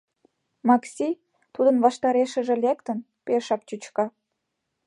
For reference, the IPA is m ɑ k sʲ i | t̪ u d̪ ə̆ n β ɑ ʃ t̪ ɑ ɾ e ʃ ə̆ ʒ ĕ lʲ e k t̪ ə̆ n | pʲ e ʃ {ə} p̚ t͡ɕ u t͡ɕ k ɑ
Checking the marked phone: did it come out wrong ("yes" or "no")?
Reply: yes